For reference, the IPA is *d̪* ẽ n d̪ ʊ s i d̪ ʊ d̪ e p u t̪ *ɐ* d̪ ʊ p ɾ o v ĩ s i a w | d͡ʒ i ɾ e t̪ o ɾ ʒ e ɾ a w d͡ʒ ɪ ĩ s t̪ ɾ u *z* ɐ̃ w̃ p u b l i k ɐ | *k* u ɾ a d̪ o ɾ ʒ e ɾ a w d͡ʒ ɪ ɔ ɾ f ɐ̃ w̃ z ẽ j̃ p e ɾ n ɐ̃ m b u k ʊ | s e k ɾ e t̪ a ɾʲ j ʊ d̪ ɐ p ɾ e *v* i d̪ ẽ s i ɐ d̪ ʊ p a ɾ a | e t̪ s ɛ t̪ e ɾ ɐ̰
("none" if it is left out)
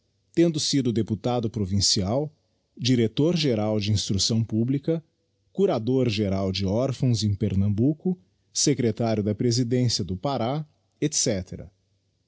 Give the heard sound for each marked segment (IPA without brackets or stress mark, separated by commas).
t̪, a, s, k, z